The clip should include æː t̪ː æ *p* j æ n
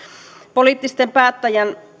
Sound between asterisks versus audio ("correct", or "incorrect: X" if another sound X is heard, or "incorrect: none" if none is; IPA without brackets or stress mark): incorrect: none